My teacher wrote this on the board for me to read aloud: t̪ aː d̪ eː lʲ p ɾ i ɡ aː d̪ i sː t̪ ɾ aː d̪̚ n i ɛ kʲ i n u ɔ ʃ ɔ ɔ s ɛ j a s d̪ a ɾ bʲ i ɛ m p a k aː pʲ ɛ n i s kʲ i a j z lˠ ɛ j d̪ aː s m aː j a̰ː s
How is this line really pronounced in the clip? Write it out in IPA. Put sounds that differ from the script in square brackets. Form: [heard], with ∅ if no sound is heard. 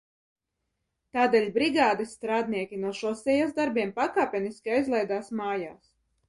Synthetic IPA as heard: t̪ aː d̪ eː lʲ [b] ɾ i ɡ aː d̪ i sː t̪ ɾ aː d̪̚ n i ɛ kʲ i n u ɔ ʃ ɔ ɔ s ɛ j a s d̪ a ɾ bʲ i ɛ m p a k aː pʲ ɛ n i s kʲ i a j z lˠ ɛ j d̪ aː s m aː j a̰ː s